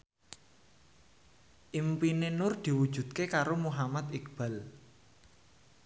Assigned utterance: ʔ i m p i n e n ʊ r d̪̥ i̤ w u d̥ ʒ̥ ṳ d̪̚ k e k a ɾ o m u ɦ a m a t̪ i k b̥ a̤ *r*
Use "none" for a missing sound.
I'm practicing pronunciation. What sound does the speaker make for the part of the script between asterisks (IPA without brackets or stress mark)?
l